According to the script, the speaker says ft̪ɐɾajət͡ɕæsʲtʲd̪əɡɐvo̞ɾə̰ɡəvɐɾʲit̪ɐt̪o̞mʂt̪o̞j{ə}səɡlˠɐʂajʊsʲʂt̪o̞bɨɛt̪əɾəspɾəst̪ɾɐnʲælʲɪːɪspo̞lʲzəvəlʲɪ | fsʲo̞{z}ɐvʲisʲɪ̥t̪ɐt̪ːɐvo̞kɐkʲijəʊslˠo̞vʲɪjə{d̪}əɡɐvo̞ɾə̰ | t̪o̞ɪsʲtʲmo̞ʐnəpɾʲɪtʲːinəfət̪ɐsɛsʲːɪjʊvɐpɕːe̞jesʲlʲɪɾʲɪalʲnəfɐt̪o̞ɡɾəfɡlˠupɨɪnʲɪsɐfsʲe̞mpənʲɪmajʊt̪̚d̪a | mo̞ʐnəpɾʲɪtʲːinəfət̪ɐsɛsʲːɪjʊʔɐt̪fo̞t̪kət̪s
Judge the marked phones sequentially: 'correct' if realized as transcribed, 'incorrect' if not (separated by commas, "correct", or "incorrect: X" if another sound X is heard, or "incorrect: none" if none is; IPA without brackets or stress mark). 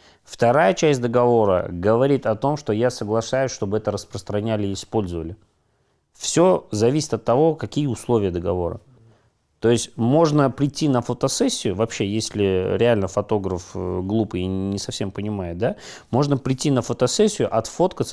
incorrect: a, correct, correct